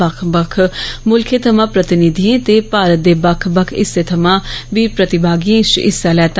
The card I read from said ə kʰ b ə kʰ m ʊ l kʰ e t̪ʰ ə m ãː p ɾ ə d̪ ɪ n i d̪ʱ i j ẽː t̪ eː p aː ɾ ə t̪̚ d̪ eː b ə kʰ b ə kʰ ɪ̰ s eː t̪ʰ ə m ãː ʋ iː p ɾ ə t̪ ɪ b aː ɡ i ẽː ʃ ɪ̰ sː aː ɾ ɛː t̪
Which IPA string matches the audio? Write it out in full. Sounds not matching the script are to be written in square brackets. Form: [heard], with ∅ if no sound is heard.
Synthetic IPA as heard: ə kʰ b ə kʰ m ʊ l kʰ e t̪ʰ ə m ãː p ɾ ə [t̪] ɪ n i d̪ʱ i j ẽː t̪ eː p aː ɾ ə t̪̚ d̪ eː b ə kʰ b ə kʰ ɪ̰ s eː t̪ʰ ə m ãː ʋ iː p ɾ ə t̪ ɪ b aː ɡ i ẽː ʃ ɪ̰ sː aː [l] ɛː t̪